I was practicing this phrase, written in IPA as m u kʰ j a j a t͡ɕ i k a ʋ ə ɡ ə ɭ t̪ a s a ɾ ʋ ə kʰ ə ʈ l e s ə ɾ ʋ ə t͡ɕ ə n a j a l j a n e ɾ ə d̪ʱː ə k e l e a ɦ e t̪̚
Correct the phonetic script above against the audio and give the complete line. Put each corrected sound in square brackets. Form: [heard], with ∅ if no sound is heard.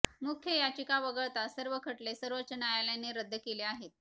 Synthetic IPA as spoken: m u kʰ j [ə] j a t͡ɕ i k a ʋ ə ɡ ə ɭ t̪ a s [ə] ɾ ʋ ə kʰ ə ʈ l e s ə ɾ ʋ ə t͡ɕ ə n a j a l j a n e ɾ ə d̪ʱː ə k e l e a ɦ e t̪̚

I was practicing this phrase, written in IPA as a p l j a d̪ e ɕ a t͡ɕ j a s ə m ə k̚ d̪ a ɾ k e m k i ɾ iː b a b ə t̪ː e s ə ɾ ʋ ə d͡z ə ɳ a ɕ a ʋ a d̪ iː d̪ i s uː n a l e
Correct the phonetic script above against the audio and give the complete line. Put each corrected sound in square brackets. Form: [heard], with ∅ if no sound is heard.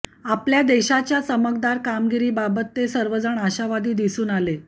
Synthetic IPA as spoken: a p l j a d̪ e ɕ a t͡ɕ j a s ə m ə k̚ d̪ a ɾ k [a] m [ɡ] i ɾ iː b a b ə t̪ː e s ə ɾ ʋ ə d͡z ə ɳ a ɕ a ʋ a d̪ iː d̪ i s uː n a l e

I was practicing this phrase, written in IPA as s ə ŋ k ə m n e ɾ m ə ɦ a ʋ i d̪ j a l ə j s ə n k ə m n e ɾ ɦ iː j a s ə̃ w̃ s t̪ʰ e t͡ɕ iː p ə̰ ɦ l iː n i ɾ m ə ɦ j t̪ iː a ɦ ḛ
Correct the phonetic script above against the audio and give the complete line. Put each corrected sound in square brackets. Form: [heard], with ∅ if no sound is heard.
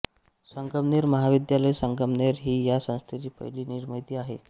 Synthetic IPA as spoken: s ə ŋ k ə m n e ɾ m ə ɦ a ʋ i d̪ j a l ə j s ə [ŋ] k ə m n e ɾ ɦ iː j a s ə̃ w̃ s t̪ʰ e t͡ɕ iː p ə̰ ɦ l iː n i ɾ m ə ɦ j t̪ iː a ɦ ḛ

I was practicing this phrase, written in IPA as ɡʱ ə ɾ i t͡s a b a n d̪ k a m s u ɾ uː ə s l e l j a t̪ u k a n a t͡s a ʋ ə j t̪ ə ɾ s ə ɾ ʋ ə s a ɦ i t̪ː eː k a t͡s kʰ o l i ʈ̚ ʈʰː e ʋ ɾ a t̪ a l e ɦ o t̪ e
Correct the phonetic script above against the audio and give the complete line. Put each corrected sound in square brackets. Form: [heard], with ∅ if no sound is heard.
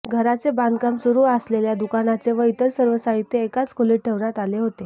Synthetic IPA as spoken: ɡʱ ə ɾ [a] t͡s [e] b a n d̪ k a m s u ɾ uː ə s l e l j a [d̪] u k a n a t͡s [e] ʋ ə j t̪ ə ɾ s ə ɾ ʋ ə s a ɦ i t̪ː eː k a t͡s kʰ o l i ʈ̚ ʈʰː e ʋ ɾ a t̪ a l e ɦ o t̪ e

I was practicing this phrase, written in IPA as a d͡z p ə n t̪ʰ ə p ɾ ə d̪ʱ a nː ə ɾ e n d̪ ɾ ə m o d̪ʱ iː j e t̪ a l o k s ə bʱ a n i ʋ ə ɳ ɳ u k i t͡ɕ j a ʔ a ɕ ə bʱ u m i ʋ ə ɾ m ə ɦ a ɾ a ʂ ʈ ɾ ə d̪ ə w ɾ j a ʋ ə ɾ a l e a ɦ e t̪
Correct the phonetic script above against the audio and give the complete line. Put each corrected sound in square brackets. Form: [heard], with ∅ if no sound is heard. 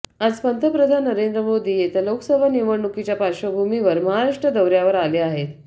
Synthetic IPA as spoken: a d͡z p ə n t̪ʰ ə p ɾ ə d̪ʱ a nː ə ɾ e n d̪ ɾ ə m o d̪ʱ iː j e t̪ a l o k s ə bʱ a n i ʋ ə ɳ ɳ u k i t͡ɕ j a [p] a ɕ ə bʱ u m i ʋ ə ɾ m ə ɦ a ɾ a ʂ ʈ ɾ ə d̪ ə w ɾ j a ʋ ə ɾ a l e a ɦ e t̪

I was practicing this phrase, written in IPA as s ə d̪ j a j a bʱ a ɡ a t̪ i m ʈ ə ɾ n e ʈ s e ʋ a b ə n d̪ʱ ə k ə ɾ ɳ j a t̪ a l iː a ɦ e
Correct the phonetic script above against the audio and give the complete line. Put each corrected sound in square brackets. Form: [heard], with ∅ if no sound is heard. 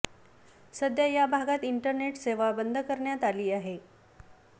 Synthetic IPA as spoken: s ə d̪ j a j a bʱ a ɡ a t̪ i [ɳ] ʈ ə ɾ n e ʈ s e ʋ a b ə n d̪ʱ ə k ə ɾ ɳ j a t̪ a l iː a ɦ e

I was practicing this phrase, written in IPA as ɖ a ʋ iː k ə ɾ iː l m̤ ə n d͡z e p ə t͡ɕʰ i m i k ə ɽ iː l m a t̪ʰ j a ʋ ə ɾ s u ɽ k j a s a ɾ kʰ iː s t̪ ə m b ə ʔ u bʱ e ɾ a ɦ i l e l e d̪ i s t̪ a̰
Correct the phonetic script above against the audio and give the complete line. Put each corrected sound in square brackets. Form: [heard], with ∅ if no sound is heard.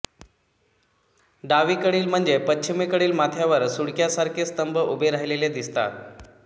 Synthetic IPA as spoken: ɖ a ʋ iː k ə [ɽ] iː l m̤ ə [ɳ] d͡z e p ə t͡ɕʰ i m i k ə ɽ iː l m a t̪ʰ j a ʋ ə ɾ s u ɽ k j a s a ɾ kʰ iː s t̪ ə m b ə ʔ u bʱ e ɾ a ɦ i l e l e d̪ i s t̪ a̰

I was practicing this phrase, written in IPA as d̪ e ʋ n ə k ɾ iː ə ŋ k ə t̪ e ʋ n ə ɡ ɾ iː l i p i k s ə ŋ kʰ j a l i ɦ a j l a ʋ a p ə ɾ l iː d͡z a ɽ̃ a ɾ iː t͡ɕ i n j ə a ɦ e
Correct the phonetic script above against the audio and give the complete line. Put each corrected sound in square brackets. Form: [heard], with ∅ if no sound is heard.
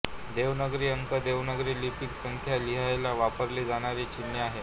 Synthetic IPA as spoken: d̪ e ʋ n ə [ɡ] ɾ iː ə ŋ k ə [d̪] e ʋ n ə ɡ ɾ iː l i p i k s ə ŋ kʰ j a l i ɦ a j l a ʋ a p ə ɾ l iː d͡z a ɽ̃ a ɾ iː t͡ɕ i n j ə a ɦ e

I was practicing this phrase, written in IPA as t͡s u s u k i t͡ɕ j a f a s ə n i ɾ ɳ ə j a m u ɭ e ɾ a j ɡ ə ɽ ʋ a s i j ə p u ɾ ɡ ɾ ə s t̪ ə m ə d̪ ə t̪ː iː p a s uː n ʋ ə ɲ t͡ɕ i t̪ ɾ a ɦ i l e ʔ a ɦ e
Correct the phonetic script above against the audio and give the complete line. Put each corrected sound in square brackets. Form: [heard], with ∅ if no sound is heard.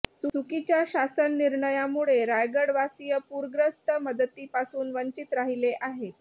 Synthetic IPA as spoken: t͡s u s u k i t͡ɕ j a [ɕ] a s ə [nː] i ɾ ɳ ə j a m u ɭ e ɾ a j ɡ ə ɽ ʋ a s i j ə p u ɾ ɡ ɾ ə s t̪ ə m ə d̪ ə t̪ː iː p a s uː n ʋ ə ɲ t͡ɕ i t̪ ɾ a ɦ i l e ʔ a ɦ e

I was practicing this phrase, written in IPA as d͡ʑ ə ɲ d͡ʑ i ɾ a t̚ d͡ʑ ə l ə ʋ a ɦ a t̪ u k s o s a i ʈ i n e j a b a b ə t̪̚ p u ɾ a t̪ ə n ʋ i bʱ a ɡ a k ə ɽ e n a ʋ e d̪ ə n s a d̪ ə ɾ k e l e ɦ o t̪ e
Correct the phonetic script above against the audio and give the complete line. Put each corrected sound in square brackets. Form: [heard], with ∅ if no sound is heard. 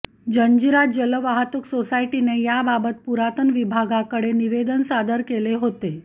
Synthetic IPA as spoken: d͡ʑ ə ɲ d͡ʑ i ɾ a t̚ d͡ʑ ə l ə ʋ a ɦ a t̪ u k s o s a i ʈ i n e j a b a b ə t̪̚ p u ɾ a t̪ ə n ʋ i bʱ a ɡ a k ə ɽ e n [i] ʋ e d̪ ə n s a d̪ ə ɾ k e l e ɦ o t̪ e

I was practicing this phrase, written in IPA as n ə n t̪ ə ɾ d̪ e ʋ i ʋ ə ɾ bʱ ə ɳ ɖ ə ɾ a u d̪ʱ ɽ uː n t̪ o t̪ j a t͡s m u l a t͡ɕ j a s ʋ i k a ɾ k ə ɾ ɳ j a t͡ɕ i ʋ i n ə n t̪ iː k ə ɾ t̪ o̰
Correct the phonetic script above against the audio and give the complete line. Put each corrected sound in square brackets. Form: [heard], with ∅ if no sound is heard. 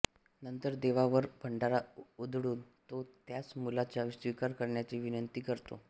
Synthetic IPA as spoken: n ə n t̪ ə ɾ d̪ e ʋ [a] ʋ ə ɾ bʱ ə ɳ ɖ [a] ɾ a u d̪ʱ ɽ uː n t̪ o t̪ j a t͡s m u l a t͡ɕ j a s ʋ i k a ɾ k ə ɾ ɳ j a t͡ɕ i ʋ i n ə n t̪ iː k ə ɾ t̪ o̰

